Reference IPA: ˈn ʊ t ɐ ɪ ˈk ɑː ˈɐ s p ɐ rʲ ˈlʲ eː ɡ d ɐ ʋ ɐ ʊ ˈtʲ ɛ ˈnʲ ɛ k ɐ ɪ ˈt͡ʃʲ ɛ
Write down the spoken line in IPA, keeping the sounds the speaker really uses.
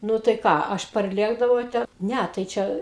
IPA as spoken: ˈn ʊ t ɐ ɪ ˈk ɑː ˈɐ ʃ p ɐ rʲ ˈlʲ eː ɡ d ɐ ʋ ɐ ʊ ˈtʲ ɛ ˈnʲ ɛ t ɐ ɪ ˈt͡ʃʲ ɛ